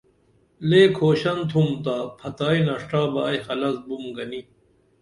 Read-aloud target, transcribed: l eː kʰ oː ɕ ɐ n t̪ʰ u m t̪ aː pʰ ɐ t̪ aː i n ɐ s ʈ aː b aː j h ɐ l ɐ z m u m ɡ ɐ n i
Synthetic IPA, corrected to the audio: l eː kʰ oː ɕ ɐ n t̪ʰ u m t̪ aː pʰ ɐ t̪ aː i n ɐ ʂ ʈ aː b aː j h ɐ l ɐ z b u m ɡ ɐ n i

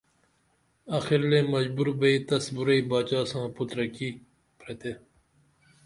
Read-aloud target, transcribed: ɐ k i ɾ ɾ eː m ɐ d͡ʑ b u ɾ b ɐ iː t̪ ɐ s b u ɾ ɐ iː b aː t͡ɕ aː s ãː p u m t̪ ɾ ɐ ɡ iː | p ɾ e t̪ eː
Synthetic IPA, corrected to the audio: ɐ x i ɾ l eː m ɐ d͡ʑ b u ɾ b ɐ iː t̪ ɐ s b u ɾ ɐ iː b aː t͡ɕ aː s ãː p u t̪ ɾ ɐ k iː | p ɾ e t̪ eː

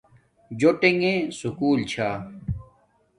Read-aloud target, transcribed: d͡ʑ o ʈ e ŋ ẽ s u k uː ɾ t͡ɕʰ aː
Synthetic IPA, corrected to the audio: d͡ʑ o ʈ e ŋ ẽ s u k uː l t͡ɕʰ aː

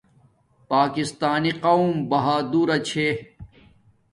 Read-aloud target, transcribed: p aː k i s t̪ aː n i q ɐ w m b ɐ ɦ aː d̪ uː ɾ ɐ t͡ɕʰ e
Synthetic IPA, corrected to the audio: p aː k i s t̪ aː n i q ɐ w m b ɐ ɦ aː d̪ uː ɾ ɐ t͡ɕʰ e

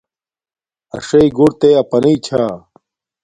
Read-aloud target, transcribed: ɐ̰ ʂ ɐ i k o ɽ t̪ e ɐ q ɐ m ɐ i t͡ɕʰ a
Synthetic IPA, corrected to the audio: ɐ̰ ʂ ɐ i ɡ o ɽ t̪ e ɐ p ɐ n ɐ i t͡ɕʰ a

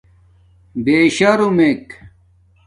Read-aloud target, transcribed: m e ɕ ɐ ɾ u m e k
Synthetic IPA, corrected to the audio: b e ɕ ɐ ɾ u m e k

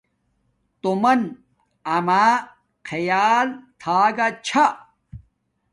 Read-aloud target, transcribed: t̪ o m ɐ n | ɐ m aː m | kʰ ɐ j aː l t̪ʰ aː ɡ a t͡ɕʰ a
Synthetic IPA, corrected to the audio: t̪ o m ɐ n | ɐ m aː | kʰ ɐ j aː l t̪ʰ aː ɡ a t͡ɕʰ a

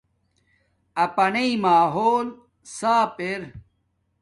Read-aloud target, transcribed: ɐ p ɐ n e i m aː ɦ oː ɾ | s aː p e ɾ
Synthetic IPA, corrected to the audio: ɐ p ɐ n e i m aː ɦ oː l | s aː p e ɾ

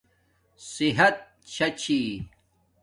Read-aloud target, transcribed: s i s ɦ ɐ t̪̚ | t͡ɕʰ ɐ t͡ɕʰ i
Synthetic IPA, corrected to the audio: s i ɦ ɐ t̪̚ | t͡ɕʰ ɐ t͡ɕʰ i

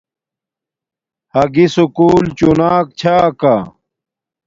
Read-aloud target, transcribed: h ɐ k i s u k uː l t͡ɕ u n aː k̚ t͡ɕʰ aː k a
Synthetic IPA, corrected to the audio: h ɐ ɡ i s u k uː l t͡ɕ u n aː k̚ t͡ɕʰ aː k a

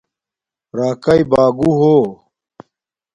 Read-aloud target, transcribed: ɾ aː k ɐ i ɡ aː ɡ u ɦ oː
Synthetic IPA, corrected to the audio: ɾ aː k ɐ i b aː ɡ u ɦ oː

